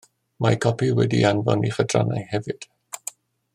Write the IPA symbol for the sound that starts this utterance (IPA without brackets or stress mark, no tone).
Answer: m